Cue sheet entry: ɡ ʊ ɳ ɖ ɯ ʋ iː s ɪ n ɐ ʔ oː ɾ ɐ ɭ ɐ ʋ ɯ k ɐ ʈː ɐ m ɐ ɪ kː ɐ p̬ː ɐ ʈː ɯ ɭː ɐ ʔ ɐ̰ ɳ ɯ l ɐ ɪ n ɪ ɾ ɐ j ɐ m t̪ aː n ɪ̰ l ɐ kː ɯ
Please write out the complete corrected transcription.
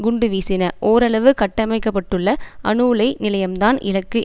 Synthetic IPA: ɡ ʊ ɳ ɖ ɯ ʋ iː s ɪ n ɐ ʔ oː ɾ ɐ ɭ ɐ ʋ ɯ k ɐ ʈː ɐ m ɐ ɪ kː ɐ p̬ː ɐ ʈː ɯ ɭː ɐ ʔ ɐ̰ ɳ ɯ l ɐ ɪ n ɪ l ɐ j ɐ m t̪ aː n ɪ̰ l ɐ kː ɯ